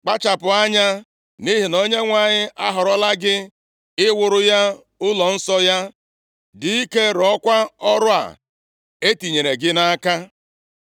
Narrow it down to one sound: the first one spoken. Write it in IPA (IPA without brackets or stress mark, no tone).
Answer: k͡p